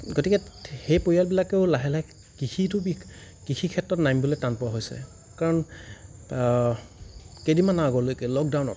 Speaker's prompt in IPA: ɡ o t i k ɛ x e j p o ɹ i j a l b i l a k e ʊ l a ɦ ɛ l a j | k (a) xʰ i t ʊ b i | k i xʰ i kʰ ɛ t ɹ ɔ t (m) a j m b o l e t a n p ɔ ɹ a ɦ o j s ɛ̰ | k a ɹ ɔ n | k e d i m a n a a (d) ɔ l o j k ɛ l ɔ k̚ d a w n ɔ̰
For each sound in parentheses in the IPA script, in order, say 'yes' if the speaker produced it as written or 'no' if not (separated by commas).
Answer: no, no, no